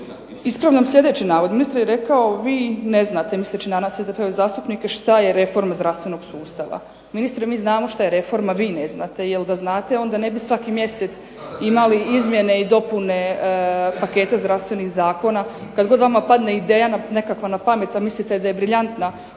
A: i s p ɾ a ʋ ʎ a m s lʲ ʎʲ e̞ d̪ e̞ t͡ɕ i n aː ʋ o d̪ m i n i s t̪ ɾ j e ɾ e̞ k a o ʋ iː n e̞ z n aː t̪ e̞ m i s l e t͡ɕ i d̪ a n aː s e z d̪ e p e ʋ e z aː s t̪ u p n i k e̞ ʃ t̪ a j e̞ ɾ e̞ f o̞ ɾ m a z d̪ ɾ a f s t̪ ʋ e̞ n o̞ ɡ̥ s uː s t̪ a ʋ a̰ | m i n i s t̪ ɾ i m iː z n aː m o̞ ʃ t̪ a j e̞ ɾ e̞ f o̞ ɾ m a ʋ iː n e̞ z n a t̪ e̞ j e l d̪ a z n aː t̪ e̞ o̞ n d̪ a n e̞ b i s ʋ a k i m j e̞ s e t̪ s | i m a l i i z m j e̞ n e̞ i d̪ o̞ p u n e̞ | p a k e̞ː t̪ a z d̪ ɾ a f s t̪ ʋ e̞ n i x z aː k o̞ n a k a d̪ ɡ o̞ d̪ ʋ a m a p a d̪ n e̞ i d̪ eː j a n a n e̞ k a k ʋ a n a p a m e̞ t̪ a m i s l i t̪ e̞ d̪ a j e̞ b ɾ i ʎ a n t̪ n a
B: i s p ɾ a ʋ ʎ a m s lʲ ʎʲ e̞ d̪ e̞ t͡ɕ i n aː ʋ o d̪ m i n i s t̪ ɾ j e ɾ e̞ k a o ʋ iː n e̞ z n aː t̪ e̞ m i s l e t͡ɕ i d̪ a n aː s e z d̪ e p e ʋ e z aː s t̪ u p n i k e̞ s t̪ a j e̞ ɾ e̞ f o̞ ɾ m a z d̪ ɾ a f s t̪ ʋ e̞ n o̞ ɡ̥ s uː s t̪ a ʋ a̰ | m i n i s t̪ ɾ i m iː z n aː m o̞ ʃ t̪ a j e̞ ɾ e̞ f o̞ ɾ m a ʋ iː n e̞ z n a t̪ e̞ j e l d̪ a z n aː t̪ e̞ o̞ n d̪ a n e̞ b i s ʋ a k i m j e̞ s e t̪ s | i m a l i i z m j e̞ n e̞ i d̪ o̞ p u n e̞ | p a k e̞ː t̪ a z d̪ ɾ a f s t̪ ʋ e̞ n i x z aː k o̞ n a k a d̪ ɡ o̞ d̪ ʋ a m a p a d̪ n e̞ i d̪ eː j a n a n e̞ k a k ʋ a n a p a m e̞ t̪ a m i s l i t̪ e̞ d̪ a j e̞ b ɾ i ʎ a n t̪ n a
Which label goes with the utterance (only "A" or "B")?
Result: A